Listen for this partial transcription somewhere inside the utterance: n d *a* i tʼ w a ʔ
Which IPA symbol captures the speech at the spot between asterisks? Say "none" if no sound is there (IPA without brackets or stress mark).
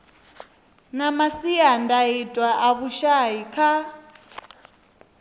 a